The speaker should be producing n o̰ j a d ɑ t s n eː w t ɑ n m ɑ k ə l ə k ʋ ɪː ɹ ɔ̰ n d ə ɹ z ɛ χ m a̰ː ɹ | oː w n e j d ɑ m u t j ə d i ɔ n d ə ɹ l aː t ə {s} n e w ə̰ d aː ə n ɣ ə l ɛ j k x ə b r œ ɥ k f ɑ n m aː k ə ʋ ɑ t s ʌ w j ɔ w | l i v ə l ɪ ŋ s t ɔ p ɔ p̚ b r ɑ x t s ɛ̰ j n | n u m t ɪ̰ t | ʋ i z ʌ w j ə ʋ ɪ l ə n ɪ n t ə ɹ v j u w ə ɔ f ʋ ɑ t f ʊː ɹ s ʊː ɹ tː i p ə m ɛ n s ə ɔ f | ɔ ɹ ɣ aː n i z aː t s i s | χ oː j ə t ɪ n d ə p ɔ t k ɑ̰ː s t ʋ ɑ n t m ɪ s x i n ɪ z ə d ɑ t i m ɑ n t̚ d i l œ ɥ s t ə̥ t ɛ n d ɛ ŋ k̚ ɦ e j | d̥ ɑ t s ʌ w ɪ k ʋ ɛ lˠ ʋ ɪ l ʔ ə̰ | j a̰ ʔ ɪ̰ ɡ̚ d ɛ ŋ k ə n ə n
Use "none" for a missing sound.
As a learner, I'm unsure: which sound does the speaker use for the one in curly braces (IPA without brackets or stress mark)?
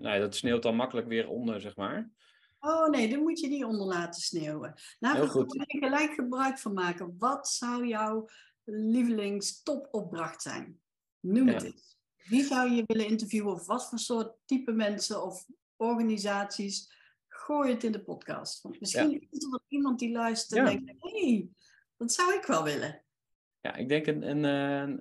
s